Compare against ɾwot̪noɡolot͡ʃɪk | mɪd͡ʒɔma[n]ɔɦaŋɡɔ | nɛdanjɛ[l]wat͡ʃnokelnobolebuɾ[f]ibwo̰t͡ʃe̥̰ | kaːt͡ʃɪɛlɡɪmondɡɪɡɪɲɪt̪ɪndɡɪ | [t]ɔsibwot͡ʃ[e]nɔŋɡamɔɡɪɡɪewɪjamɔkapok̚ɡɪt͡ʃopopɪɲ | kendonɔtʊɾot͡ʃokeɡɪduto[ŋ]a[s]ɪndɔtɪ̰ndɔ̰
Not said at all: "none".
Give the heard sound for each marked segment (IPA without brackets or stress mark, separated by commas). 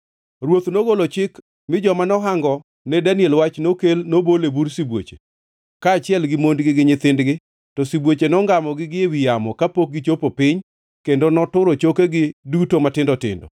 n, l, s, t, e, m, t